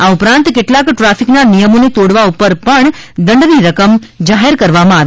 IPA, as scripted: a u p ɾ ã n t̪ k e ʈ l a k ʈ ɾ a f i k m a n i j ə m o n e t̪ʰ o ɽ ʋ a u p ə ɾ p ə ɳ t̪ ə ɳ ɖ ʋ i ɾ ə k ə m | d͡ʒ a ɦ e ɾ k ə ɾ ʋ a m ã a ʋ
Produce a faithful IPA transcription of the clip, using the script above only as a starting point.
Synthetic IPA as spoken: a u p ɾ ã n t̪ k e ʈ l a k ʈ ɾ a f i k n a n i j ə m o n e t̪ o ɽ ʋ a u p ə ɾ p ə ɳ d̪ ə ɳ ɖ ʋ i ɾ ə k ə m | d͡ʒ a ɦ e ɾ k ə ɾ ʋ a m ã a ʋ